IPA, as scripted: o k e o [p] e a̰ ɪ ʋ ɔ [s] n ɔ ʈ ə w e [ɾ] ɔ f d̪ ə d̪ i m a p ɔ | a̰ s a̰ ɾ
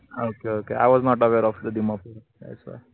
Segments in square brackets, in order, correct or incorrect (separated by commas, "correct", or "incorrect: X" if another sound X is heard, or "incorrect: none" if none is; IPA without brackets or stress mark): incorrect: k, incorrect: z, correct